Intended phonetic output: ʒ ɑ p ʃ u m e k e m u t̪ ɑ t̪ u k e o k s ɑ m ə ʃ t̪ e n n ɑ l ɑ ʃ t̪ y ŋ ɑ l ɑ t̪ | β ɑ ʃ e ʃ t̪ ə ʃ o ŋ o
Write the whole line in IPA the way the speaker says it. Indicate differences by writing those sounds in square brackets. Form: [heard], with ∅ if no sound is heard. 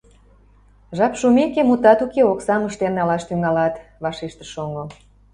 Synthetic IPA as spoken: ʒ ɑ p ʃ u m e k e m u t̪ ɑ t̪ u k e o k s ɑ m ə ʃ t̪ e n n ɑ l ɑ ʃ t̪ y ŋ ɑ l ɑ t̪ | β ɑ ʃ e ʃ t̪ ə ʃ o ŋ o